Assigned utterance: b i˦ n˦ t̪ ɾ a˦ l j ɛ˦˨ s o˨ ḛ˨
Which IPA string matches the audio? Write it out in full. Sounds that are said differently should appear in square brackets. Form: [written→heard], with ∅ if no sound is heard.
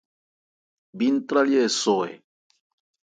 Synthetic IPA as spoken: b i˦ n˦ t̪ ɾ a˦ l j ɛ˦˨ s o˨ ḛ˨

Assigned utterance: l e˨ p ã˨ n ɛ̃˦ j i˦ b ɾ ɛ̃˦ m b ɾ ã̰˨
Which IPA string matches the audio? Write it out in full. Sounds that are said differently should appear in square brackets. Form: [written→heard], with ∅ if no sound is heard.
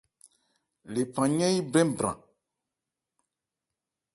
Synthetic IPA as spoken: l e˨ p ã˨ [n→ɲ] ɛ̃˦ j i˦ b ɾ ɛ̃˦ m b ɾ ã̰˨

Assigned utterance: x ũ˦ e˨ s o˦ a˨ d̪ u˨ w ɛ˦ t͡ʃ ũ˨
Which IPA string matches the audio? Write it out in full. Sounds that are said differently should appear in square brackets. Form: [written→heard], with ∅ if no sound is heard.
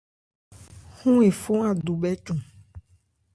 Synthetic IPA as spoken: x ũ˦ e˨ [s→f] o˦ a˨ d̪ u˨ [w→b] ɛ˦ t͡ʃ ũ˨

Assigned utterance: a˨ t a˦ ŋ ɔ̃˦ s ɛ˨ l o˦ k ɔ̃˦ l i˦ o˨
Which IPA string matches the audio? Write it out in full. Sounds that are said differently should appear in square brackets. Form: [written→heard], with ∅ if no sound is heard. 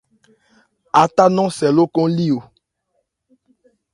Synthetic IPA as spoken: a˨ t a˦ [ŋ→n] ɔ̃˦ s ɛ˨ l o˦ k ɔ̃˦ l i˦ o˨

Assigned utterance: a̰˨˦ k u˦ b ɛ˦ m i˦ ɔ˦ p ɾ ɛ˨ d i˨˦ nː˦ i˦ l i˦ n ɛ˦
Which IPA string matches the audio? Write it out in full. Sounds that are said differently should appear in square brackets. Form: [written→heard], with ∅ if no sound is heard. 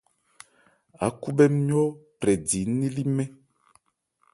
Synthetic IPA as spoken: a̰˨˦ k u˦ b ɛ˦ m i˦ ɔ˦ p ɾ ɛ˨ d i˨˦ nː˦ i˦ l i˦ [n→m] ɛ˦

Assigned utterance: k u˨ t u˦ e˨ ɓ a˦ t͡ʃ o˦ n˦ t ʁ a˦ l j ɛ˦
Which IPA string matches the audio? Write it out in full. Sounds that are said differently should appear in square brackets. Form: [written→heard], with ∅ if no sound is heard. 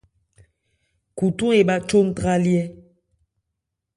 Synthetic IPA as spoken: k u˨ t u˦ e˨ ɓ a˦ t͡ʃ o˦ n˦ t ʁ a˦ l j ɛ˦

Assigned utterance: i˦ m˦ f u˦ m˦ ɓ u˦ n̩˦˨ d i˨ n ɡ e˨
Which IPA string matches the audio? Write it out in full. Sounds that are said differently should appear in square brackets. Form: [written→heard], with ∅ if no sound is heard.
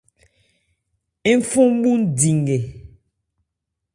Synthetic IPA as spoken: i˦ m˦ f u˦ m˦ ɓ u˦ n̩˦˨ d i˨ [n→ŋ] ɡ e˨

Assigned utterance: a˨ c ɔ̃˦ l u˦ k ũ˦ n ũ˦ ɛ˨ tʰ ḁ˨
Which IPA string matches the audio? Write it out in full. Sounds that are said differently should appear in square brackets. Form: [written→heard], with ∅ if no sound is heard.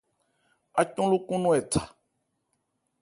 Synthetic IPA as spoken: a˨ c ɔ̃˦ l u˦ k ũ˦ n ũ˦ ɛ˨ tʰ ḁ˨

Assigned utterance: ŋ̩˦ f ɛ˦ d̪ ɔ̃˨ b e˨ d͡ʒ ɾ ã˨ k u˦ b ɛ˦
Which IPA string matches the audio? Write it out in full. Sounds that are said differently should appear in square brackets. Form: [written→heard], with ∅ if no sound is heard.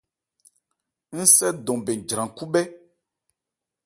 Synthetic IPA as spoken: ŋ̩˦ [f→s] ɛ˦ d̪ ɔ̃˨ b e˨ d͡ʒ ɾ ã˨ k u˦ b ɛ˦

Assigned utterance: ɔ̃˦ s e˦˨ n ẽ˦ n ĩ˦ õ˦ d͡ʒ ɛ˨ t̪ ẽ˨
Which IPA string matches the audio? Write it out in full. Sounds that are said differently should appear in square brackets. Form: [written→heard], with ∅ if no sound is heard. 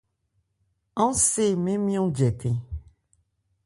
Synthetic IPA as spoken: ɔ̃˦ s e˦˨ [n→m] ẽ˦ [n→m] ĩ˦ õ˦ d͡ʒ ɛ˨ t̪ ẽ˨

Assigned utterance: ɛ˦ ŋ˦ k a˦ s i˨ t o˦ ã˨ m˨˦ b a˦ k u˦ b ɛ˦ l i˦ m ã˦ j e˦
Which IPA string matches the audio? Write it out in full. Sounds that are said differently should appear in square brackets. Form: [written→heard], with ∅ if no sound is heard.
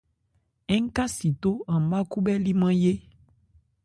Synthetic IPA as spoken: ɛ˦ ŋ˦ k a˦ s i˨ t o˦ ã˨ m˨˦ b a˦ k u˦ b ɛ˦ l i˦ m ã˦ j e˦

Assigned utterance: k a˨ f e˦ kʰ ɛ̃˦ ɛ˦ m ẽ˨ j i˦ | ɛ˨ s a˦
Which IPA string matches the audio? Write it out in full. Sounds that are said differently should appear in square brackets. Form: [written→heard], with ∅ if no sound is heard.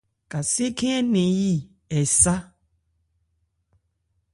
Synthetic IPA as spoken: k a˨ [f→s] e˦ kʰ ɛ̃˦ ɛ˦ [m→n] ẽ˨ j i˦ | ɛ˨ s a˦

